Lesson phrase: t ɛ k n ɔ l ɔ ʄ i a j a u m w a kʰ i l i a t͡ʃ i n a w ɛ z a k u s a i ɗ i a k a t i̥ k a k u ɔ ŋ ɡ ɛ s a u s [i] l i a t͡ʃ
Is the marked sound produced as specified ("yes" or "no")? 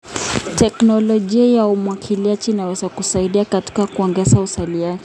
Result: no